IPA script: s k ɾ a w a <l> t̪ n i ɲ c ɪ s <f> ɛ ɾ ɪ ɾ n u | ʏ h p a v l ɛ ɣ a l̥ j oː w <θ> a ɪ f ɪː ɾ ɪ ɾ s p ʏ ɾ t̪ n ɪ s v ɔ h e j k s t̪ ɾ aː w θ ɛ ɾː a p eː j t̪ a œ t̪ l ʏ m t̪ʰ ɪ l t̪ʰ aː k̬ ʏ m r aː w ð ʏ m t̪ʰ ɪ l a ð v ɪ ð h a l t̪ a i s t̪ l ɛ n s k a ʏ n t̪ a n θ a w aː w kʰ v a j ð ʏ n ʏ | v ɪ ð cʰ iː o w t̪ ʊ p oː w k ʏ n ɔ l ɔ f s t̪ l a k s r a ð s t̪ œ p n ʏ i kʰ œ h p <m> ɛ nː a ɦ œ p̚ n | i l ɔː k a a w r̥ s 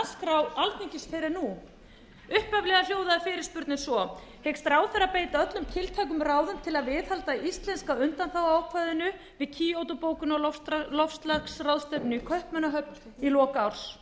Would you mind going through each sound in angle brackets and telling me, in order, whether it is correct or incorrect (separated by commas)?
correct, correct, incorrect, correct